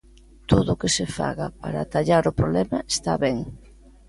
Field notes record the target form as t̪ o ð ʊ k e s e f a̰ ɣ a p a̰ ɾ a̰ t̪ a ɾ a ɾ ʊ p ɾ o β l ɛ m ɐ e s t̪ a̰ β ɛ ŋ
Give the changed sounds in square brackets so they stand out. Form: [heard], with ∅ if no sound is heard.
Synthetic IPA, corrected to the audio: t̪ o ð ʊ k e s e f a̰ ɣ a p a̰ ɾ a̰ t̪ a [ʎ] a ɾ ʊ p ɾ o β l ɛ m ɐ e s t̪ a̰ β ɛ ŋ